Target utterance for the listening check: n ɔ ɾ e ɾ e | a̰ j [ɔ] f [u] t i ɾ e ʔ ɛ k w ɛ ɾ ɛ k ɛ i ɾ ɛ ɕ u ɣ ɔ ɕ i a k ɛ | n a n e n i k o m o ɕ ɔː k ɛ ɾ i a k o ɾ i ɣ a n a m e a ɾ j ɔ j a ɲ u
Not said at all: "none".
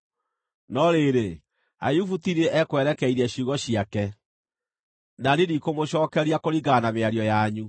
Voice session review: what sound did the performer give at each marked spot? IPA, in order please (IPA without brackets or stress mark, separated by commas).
u, u